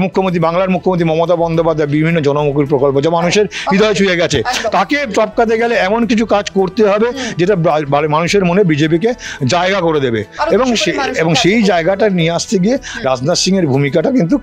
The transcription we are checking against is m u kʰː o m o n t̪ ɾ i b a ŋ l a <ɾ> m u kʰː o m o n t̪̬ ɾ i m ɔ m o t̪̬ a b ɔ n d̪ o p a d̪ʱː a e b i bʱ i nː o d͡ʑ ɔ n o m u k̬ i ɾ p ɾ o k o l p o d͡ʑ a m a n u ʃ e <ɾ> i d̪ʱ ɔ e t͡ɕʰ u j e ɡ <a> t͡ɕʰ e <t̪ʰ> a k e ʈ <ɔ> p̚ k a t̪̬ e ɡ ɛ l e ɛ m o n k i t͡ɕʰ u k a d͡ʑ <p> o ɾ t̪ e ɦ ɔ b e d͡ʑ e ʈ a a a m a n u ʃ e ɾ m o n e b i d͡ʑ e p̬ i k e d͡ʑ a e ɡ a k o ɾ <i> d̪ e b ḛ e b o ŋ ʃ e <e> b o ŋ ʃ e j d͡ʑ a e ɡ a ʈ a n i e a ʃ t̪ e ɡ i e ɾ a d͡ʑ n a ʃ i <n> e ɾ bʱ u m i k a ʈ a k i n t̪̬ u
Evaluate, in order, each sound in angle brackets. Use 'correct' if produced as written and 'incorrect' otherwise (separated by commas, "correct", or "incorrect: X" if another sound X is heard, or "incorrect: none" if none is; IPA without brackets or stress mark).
correct, correct, incorrect: ɛ, incorrect: t̪, correct, incorrect: k, incorrect: e, correct, incorrect: ŋ